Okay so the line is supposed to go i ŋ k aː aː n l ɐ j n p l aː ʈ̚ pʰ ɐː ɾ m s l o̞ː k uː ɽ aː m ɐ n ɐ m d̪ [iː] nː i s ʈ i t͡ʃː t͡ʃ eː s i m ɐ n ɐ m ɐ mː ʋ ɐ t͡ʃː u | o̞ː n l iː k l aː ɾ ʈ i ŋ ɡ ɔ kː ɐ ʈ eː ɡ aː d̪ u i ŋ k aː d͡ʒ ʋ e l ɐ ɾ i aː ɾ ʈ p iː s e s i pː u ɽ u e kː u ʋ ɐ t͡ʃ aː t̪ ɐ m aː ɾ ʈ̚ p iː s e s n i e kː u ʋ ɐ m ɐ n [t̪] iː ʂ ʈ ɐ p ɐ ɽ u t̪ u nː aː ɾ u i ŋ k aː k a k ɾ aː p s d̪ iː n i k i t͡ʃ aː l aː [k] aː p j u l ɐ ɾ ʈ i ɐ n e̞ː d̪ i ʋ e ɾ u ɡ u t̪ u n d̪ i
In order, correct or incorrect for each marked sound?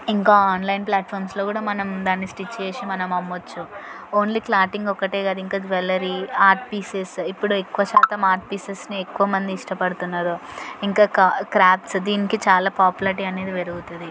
incorrect: aː, incorrect: d̪, incorrect: p

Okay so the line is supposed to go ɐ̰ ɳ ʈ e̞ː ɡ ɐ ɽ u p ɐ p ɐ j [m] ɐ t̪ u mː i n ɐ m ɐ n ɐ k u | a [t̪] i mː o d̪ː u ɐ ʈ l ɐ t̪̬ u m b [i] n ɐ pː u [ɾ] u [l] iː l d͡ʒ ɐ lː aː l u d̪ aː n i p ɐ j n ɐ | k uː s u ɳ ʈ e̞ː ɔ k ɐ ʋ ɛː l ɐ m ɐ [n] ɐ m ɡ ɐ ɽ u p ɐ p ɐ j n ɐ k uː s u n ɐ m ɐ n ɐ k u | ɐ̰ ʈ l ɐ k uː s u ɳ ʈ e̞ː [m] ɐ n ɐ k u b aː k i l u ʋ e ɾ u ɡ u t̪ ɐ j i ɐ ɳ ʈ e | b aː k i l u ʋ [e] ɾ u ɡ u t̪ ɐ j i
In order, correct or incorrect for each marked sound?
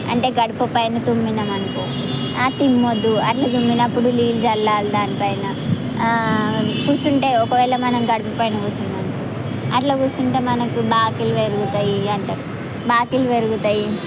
incorrect: n, correct, correct, incorrect: ɽ, correct, correct, correct, correct

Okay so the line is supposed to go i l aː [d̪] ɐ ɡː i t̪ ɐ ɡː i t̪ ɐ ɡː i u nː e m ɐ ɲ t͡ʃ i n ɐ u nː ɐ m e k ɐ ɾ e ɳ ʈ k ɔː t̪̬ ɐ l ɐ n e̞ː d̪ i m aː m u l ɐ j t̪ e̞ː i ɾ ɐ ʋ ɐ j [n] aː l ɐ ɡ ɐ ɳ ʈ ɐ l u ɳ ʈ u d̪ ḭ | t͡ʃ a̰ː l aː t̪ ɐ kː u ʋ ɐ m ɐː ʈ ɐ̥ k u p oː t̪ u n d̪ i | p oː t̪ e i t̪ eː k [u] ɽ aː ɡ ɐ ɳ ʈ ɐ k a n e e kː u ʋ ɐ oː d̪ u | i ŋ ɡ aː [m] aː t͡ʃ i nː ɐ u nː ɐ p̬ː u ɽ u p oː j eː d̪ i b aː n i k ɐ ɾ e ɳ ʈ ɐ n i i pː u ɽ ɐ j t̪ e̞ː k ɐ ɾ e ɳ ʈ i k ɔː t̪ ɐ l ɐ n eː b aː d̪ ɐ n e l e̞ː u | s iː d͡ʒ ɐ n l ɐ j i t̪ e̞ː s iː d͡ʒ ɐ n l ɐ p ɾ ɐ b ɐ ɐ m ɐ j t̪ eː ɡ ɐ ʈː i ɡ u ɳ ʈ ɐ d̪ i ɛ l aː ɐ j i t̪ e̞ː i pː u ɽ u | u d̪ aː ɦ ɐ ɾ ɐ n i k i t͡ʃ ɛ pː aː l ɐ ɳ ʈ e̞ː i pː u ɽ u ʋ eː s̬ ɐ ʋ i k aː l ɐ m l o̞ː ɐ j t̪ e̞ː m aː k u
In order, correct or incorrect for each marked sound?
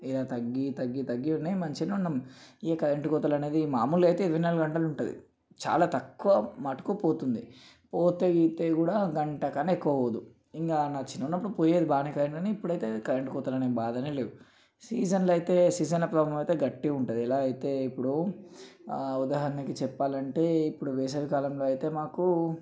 incorrect: t̪, correct, incorrect: uː, incorrect: n

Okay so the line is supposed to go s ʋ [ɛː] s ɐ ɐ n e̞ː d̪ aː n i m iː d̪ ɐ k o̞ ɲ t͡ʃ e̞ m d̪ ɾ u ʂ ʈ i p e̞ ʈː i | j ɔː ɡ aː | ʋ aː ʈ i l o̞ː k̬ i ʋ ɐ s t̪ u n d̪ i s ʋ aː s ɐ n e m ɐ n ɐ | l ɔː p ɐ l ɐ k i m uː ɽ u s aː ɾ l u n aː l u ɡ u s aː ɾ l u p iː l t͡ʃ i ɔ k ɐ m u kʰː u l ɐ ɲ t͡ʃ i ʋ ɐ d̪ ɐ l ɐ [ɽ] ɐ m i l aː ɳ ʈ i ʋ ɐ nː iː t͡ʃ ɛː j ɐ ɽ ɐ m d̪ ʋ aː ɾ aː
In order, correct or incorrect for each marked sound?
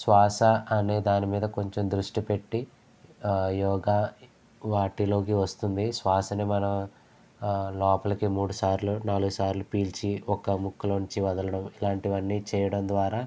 incorrect: aː, correct

